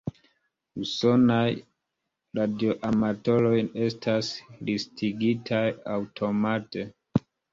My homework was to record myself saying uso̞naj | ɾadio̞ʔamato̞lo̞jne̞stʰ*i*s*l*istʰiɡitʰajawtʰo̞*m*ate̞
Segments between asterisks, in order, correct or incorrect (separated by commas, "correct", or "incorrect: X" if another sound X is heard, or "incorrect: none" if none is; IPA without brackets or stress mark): incorrect: a, correct, correct